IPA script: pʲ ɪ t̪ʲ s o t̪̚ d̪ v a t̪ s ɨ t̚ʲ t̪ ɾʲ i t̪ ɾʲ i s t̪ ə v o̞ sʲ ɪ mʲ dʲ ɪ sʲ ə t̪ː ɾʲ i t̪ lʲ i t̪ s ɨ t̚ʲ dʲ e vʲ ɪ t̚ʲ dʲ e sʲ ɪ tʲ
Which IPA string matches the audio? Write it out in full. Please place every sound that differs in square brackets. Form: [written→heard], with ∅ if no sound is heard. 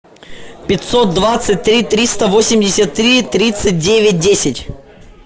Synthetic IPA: pʲ ɪ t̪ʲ s o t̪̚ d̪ v a t̪ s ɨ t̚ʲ t̪ ɾʲ i t̪ ɾʲ i s t̪ ə v o̞ sʲ ɪ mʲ dʲ ɪ sʲ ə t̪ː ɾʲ i t̪ [lʲ→ɾʲ] i t̪ s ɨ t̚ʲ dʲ e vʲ ɪ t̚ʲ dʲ e sʲ ɪ tʲ